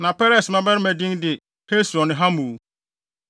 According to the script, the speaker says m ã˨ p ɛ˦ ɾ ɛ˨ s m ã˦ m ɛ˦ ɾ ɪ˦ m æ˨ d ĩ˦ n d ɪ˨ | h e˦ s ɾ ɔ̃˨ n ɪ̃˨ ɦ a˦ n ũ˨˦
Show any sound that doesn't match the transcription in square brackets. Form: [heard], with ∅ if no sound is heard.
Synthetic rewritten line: [n] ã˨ p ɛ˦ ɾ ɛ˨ s m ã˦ [b] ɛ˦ ɾ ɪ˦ m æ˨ d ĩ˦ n d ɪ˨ | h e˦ s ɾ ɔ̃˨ n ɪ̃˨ ɦ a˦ [m] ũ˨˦